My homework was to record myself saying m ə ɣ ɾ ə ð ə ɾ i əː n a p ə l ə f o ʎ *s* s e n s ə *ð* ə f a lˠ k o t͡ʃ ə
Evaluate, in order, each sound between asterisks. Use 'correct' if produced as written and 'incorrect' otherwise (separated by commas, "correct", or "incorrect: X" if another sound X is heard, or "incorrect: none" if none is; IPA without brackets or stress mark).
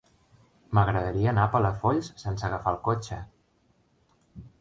correct, incorrect: ɣ